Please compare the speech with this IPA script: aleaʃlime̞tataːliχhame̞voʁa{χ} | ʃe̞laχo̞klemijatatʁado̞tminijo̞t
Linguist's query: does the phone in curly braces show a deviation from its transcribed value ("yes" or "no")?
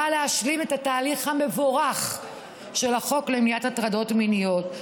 no